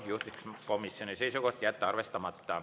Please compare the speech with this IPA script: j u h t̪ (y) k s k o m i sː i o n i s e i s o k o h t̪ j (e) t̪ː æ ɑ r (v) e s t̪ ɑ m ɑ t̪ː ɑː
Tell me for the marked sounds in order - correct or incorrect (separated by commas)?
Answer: incorrect, incorrect, incorrect